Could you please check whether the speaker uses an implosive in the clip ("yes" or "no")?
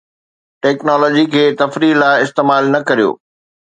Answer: no